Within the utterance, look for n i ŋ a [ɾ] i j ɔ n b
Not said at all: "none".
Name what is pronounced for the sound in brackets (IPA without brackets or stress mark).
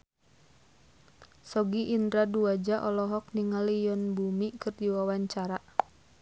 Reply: l